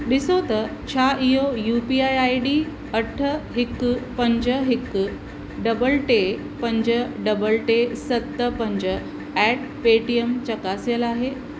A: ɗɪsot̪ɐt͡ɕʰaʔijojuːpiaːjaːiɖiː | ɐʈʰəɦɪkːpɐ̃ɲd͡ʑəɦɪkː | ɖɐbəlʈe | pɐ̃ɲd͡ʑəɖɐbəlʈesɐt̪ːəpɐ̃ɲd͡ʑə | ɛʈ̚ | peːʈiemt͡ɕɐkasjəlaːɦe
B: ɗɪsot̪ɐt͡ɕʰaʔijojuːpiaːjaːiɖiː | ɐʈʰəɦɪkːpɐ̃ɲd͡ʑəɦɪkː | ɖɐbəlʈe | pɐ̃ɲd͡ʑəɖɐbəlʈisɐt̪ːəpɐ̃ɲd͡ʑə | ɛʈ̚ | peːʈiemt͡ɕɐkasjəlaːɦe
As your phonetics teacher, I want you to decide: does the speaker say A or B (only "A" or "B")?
A